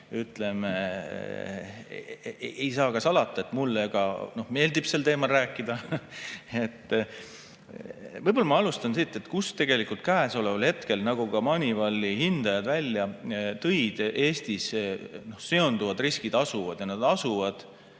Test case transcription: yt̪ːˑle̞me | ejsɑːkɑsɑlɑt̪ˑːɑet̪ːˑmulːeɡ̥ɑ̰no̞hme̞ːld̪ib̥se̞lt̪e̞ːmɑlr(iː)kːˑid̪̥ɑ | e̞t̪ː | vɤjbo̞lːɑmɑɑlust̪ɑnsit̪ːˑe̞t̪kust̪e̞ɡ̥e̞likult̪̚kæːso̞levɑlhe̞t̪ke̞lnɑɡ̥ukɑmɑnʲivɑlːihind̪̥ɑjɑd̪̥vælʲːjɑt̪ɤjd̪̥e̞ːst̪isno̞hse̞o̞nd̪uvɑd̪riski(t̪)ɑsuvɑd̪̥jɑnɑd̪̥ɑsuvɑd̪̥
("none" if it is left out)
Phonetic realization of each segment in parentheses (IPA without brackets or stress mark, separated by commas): æː, d̪